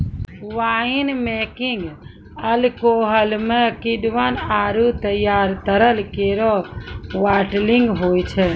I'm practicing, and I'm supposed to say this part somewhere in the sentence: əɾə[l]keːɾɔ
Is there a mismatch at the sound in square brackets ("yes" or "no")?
no